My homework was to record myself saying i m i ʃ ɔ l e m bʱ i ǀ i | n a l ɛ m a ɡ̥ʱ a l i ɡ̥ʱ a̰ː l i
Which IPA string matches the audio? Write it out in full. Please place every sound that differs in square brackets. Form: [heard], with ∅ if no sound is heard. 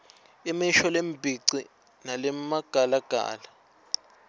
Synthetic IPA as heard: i m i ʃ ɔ l e m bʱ i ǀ i | n a l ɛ m a ɡ̥ʱ a l [a] ɡ̥ʱ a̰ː l [a]